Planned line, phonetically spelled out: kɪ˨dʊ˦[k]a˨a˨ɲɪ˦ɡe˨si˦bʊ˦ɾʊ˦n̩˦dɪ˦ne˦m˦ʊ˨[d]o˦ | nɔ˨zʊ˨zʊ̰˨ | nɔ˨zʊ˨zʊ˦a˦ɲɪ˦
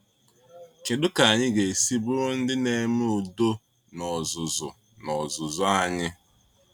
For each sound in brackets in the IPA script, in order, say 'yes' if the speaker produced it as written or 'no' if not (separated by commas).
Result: yes, yes